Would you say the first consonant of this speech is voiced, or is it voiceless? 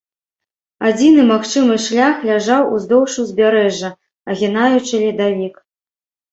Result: voiced